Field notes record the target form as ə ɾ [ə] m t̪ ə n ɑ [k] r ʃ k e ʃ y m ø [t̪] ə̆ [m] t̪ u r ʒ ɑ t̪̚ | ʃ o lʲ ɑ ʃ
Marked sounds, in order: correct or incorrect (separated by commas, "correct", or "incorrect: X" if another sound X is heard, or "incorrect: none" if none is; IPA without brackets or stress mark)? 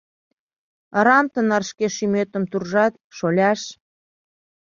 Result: incorrect: ɑ, incorrect: none, correct, correct